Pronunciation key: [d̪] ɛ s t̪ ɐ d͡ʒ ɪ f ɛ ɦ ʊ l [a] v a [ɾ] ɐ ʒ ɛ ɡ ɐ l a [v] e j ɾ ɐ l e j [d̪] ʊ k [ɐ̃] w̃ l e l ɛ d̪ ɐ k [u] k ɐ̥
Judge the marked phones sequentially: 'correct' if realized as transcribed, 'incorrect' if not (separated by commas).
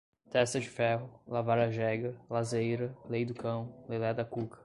incorrect, correct, correct, incorrect, correct, correct, correct